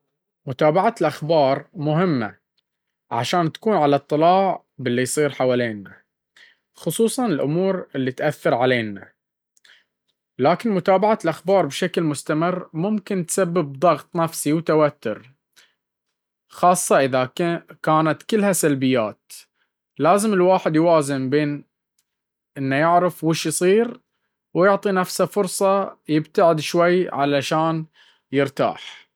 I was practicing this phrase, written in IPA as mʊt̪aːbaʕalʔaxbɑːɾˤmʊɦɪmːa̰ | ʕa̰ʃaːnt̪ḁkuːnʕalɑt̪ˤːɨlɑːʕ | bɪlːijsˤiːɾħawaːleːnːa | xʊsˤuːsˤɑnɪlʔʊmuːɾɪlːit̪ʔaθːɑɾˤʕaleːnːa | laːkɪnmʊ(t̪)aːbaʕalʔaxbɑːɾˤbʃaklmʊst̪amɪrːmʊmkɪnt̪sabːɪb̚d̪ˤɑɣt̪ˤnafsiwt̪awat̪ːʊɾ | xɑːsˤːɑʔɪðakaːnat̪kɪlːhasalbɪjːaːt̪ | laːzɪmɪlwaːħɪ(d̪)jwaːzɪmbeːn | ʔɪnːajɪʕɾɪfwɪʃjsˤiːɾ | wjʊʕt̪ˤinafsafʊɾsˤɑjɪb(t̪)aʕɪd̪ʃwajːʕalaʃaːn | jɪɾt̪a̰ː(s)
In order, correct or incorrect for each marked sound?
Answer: correct, correct, correct, incorrect

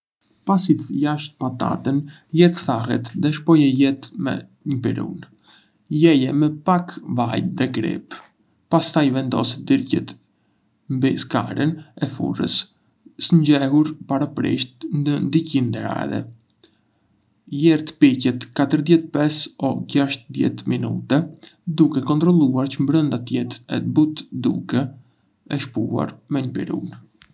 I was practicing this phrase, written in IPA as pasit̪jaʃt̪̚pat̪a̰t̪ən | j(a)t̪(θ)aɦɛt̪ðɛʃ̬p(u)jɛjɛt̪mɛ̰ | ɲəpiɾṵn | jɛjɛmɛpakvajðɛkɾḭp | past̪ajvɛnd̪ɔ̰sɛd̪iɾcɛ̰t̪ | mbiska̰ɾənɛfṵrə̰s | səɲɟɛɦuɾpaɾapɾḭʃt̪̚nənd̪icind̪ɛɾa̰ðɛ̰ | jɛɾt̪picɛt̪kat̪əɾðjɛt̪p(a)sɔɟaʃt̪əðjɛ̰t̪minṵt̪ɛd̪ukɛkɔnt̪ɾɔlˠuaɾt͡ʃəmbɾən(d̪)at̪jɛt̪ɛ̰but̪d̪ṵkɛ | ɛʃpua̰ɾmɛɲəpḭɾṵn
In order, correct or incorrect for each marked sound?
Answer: incorrect, correct, incorrect, incorrect, correct

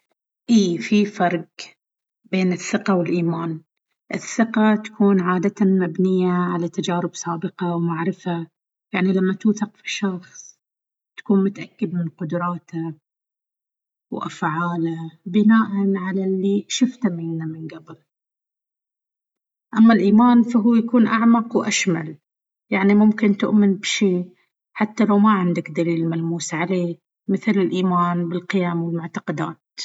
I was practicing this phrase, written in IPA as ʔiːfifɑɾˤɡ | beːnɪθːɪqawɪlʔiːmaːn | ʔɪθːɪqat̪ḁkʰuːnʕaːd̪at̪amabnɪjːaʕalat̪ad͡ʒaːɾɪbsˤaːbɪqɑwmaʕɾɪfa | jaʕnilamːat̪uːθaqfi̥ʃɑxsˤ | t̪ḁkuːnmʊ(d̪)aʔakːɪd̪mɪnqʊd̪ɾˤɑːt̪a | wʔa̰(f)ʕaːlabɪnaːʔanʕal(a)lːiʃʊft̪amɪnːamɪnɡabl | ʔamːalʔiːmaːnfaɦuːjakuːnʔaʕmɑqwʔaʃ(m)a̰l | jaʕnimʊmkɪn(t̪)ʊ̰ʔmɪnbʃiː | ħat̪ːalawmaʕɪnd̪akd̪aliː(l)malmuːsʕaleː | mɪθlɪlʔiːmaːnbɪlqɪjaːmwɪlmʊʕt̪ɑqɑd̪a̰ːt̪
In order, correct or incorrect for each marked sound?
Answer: incorrect, correct, correct, correct, correct, correct

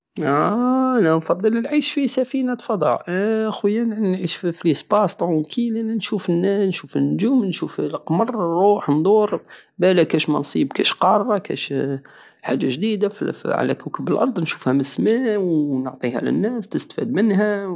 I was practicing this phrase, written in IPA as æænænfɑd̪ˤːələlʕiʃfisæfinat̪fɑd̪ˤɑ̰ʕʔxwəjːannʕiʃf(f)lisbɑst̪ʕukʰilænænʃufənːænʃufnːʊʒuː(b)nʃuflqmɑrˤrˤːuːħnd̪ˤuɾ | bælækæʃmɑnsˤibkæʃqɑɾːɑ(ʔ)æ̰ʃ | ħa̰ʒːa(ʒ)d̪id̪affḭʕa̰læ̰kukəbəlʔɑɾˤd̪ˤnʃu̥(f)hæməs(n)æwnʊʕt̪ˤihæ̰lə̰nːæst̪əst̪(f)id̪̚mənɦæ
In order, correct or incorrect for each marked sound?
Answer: correct, incorrect, incorrect, correct, correct, incorrect, correct

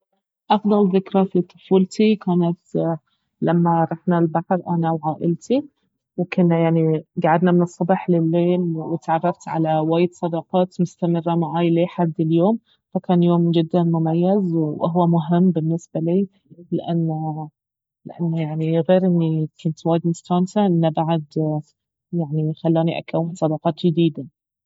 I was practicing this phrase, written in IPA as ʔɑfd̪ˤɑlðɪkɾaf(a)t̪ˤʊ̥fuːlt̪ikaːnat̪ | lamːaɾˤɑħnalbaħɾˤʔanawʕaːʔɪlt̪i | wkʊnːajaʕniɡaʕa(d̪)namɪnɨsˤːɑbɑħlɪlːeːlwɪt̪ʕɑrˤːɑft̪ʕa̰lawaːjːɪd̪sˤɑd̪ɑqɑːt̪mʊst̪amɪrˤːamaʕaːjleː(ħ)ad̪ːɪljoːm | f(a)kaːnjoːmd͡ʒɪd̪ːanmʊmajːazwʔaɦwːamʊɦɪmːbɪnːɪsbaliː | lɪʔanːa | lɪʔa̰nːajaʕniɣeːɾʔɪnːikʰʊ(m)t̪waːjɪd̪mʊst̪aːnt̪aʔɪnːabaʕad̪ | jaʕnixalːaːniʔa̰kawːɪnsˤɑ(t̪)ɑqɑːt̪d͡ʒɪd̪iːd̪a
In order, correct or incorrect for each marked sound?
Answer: incorrect, correct, correct, correct, incorrect, incorrect

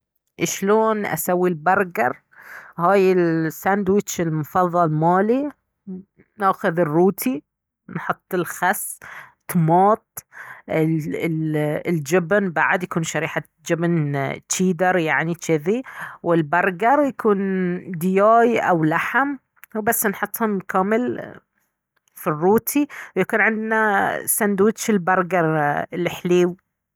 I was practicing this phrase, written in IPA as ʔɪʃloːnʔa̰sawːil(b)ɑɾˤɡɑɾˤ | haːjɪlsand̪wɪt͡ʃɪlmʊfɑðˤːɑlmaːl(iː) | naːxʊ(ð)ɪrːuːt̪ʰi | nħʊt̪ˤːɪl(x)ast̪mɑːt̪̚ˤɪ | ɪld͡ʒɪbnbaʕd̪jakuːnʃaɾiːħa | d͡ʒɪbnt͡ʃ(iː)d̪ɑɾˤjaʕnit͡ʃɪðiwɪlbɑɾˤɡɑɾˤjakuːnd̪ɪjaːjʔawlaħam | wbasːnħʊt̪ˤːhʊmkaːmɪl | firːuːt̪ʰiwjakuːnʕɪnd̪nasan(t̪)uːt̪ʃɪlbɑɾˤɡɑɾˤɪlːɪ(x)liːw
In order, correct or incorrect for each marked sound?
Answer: correct, incorrect, correct, correct, correct, incorrect, incorrect

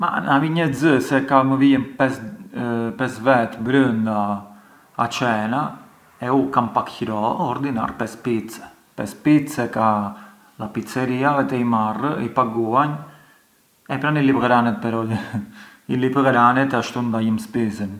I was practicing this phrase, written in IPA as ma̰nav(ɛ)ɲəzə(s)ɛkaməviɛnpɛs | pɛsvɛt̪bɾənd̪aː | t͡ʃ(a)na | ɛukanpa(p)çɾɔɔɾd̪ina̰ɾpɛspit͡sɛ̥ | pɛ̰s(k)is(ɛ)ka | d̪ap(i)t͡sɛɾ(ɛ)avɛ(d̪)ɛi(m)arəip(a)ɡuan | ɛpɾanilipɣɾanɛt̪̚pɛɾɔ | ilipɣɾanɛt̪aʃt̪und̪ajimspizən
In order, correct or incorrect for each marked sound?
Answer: incorrect, correct, incorrect, incorrect, incorrect, correct, correct, incorrect, incorrect, correct, correct

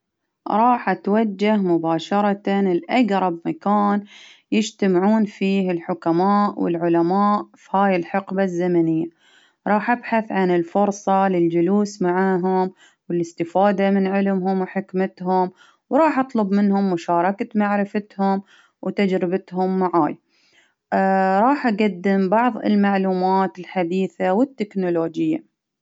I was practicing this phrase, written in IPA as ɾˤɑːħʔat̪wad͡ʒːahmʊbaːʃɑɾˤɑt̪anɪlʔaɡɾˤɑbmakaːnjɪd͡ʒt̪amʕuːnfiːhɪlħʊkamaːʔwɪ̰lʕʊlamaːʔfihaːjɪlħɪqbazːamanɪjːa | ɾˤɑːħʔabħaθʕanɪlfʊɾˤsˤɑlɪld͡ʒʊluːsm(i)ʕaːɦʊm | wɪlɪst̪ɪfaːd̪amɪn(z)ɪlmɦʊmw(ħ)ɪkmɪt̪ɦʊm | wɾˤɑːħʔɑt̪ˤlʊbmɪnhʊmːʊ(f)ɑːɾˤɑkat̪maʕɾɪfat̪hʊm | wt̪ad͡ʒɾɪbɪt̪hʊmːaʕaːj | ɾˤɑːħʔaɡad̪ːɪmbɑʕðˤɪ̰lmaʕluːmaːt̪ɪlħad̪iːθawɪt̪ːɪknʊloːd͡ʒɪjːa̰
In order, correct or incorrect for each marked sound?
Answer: incorrect, incorrect, correct, incorrect

